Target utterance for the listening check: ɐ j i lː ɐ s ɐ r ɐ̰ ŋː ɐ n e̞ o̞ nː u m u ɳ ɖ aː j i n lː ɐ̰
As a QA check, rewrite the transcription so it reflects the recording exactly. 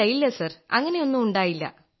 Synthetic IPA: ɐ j i lː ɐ s ɐ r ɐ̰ ŋː ɐ n e̞ o̞ nː u m u ɳ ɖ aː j i lː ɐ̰